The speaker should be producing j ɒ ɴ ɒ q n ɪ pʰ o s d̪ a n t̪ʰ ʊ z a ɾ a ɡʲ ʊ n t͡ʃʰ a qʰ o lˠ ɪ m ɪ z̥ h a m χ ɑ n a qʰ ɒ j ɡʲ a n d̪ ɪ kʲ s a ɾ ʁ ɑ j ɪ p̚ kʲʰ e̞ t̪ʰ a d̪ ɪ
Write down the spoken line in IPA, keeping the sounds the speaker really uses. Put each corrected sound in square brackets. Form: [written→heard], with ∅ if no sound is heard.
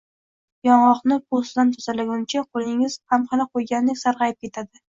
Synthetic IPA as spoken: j ɒ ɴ ɒ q n ɪ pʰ o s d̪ a n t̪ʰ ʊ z a [ɾ→l] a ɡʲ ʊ n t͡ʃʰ a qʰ o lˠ ɪ [m→ŋ] ɪ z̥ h a m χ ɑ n a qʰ [ɒ→o] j ɡʲ a n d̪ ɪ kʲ s a ɾ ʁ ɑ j ɪ p̚ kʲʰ e̞ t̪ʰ a d̪ ɪ